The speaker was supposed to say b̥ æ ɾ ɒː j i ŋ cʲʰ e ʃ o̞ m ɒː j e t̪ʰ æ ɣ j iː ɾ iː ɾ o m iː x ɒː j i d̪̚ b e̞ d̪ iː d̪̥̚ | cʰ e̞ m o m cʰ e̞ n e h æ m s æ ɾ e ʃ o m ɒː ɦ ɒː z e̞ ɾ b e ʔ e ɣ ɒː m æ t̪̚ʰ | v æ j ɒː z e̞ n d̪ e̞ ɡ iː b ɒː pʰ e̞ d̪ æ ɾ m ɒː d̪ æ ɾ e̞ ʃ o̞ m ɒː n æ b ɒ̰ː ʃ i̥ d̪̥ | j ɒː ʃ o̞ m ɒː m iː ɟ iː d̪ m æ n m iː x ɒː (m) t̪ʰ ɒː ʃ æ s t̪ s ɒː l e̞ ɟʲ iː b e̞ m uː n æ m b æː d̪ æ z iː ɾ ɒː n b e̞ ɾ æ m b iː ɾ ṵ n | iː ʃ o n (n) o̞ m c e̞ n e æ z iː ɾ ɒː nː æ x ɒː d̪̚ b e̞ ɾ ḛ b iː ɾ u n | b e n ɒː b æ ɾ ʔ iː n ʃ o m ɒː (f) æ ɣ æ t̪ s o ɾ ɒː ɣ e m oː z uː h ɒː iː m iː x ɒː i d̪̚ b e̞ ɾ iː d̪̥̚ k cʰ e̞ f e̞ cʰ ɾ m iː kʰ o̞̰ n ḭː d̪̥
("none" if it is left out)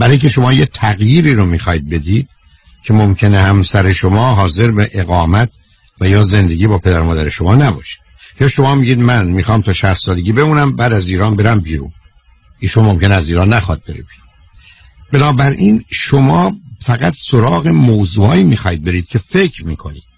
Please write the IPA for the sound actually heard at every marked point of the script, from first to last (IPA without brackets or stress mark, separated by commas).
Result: m, m, f